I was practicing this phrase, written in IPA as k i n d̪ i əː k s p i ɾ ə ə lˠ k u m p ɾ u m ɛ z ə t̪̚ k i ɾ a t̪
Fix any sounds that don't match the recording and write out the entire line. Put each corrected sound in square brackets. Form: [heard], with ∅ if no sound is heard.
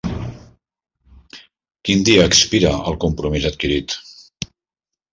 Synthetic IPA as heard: k i n d̪ i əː k s p i ɾ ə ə lˠ k u m p ɾ u m [i] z ə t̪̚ k i ɾ [i] t̪